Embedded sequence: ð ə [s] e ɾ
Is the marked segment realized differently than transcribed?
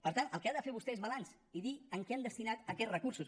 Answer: yes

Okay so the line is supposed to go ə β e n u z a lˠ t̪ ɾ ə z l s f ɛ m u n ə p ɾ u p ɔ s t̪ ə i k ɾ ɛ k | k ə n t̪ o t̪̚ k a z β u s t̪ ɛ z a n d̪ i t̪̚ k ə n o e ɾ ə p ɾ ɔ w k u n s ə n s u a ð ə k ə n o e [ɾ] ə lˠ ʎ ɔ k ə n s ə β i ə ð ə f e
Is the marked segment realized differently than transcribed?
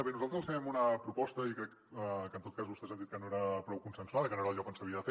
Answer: no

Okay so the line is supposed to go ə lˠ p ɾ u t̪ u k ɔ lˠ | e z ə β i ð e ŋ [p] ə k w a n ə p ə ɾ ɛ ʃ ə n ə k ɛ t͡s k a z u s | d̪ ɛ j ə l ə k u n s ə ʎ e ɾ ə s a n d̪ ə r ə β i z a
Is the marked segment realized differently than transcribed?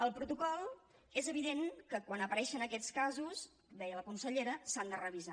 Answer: yes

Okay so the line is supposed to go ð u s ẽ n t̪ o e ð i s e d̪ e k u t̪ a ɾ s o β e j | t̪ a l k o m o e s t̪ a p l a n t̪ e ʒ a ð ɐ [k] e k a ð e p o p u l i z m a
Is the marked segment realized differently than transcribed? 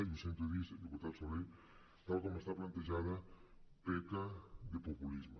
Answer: yes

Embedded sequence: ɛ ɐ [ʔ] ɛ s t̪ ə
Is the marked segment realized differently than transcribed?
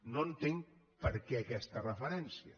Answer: yes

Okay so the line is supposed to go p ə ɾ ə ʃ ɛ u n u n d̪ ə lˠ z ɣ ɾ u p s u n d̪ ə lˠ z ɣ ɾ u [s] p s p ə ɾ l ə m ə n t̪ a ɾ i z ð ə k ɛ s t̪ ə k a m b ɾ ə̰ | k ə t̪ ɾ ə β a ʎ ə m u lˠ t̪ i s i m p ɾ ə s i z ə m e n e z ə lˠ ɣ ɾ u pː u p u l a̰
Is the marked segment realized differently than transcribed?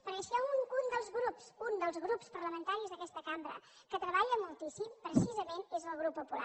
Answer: yes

